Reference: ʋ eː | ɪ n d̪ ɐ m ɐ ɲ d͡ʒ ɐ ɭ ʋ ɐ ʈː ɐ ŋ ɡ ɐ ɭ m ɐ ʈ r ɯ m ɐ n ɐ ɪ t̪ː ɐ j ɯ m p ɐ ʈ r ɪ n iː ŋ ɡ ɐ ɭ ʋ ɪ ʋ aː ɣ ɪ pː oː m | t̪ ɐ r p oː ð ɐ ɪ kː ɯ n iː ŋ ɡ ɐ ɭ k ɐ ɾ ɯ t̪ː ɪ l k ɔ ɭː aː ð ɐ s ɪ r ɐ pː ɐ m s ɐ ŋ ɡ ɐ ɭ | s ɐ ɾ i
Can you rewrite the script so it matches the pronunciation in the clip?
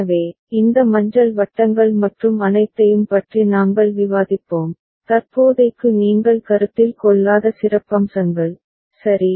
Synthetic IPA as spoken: ʋ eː | ɪ n d̪ ɐ m ɐ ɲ d͡ʒ ɐ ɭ ʋ ɐ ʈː ɐ ŋ ɡ ɐ ɭ m ɐ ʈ r ɯ m ɐ n ɐ ɪ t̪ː ɐ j ɯ m p ɐ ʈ r i n aː ŋ ɡ ɐ ɭ ʋ ɪ ʋ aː ð ɪ pː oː m | t̪ ɐ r p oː ð ɐ ɪ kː ɯ n iː ŋ ɡ ɐ ɭ k ɐ ɾ ɯ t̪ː ɪ l k ɔ ɭː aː ð ɐ s ɪ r ɐ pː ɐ m s ɐ ŋ ɡ ɐ ɭ | s ɐ ɾ i